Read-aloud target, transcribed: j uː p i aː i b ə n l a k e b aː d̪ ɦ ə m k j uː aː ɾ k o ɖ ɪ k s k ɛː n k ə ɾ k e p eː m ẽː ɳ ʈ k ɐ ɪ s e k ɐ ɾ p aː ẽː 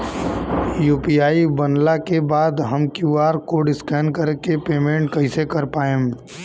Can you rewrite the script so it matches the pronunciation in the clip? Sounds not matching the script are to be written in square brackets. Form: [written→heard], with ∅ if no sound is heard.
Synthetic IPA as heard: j uː p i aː i b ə n l a k e b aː d̪ ɦ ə m k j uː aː ɾ k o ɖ ɪ [k→∅] s k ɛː n k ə ɾ k e p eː m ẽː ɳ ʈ k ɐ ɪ s e k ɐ ɾ p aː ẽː